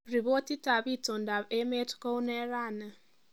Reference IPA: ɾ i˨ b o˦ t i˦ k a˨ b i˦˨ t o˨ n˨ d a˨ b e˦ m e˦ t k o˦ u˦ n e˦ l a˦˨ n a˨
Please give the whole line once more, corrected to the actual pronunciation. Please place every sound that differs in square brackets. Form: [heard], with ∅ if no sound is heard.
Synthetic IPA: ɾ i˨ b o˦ t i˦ [t] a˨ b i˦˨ t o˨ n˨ d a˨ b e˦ m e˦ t k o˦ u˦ n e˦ [ɾ] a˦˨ n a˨